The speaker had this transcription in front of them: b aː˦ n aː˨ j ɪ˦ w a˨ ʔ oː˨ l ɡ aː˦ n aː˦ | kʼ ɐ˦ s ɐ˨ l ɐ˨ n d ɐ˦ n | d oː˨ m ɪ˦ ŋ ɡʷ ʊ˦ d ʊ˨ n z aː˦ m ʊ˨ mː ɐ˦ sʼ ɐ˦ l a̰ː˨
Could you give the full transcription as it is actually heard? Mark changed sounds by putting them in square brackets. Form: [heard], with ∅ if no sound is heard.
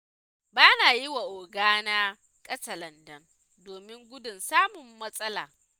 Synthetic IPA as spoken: b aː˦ n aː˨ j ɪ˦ w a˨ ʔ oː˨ [∅] ɡ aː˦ n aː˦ | kʼ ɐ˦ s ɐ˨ l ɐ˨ n d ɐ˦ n | d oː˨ m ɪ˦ ŋ ɡʷ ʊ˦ d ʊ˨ n [s] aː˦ m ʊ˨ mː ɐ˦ sʼ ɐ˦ l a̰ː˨

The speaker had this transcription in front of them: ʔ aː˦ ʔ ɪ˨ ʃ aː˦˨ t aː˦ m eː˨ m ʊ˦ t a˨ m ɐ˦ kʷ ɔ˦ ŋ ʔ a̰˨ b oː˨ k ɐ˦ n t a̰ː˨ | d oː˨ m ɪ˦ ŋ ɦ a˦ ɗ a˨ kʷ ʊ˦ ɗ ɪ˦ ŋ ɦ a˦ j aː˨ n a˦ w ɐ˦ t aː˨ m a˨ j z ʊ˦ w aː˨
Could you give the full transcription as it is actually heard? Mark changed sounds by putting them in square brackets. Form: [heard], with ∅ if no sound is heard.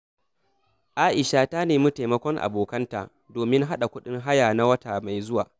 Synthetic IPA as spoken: ʔ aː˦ ʔ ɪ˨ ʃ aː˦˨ t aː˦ [n] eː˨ m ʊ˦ t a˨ m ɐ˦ kʷ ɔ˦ ŋ ʔ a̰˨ b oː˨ k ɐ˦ n t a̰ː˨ | d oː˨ m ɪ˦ ŋ ɦ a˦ ɗ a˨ kʷ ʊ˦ ɗ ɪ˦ ŋ ɦ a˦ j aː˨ n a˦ w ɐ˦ t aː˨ m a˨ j z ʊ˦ w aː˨

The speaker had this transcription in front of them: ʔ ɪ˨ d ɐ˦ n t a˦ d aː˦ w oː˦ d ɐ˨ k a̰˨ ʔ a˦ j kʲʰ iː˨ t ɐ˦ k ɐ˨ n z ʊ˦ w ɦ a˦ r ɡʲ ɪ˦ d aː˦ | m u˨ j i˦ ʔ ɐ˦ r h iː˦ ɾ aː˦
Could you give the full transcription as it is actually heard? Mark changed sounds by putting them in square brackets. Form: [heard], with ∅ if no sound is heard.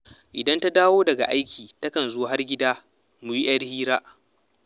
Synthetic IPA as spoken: ʔ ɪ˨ d ɐ˦ n t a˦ d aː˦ w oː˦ d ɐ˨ [ɡ] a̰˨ ʔ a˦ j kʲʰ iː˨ t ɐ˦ k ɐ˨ n z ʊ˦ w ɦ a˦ r ɡʲ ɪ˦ d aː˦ | m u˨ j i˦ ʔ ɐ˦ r h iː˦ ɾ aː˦

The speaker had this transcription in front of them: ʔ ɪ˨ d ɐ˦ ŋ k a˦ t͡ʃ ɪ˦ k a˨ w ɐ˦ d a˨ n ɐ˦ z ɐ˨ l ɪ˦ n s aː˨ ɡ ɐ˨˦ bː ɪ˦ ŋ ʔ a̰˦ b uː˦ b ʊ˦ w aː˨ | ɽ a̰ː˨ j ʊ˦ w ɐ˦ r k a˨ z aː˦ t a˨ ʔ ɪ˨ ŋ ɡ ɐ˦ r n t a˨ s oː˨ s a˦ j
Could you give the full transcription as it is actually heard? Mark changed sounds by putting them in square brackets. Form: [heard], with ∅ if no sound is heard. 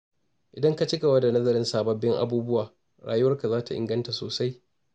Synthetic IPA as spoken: ʔ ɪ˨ d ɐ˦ ŋ k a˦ t͡ʃ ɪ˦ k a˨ w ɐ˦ d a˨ n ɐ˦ z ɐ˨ [ɾ] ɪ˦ n s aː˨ [b] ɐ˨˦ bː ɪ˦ ŋ ʔ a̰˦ b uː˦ b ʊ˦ w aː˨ | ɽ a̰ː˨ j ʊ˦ w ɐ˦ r k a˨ z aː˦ t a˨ ʔ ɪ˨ ŋ ɡ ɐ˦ [∅] n t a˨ s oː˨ s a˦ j

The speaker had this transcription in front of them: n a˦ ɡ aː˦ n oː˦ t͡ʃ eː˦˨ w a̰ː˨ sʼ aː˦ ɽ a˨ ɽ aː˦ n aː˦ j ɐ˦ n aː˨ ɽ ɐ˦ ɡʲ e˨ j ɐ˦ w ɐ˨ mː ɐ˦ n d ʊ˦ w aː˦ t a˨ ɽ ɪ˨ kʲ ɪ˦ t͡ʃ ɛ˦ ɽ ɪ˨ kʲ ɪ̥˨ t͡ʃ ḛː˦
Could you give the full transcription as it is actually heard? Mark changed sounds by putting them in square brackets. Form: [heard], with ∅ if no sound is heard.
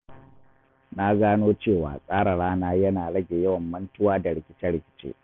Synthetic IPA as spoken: n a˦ ɡ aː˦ n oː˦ t͡ʃ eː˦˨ w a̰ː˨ sʼ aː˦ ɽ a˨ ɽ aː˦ n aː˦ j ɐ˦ n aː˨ ɽ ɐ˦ ɡʲ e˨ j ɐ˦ w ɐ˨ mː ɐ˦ n [t] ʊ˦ w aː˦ [d] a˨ ɽ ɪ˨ kʲ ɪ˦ t͡ʃ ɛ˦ ɽ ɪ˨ kʲ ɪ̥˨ t͡ʃ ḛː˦

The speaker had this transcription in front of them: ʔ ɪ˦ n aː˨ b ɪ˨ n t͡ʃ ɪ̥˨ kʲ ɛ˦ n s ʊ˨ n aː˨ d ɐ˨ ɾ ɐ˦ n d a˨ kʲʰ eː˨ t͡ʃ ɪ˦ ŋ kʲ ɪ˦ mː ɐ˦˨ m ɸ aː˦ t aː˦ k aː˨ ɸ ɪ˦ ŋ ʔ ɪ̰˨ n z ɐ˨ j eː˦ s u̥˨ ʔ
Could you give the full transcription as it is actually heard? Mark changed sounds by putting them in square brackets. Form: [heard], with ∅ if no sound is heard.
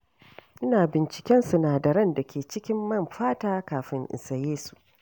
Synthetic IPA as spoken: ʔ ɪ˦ n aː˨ b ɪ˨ n t͡ʃ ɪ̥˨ kʲ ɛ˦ n s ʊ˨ n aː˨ d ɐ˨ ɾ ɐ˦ n d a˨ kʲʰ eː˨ t͡ʃ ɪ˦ [∅] kʲ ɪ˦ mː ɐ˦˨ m ɸ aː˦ t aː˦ k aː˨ ɸ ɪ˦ ŋ ʔ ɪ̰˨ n [s] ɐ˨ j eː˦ s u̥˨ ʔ

